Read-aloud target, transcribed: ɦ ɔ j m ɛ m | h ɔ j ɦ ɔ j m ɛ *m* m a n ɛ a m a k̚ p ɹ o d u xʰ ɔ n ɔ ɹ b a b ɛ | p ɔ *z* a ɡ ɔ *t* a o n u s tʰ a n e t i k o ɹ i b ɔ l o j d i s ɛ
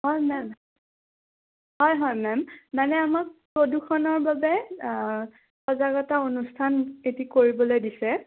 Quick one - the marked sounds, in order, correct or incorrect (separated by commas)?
correct, correct, correct